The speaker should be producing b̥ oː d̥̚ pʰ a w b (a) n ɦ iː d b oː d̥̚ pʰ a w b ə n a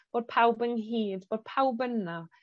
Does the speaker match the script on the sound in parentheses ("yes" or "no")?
no